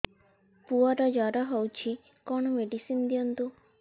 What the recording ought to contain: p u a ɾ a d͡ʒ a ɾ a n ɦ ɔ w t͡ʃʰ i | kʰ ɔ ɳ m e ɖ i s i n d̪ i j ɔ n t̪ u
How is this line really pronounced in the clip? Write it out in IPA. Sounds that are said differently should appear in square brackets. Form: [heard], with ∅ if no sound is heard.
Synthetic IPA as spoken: p u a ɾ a d͡ʒ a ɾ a [∅] ɦ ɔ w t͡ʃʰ i | [k] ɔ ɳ m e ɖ i s i n d̪ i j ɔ n t̪ u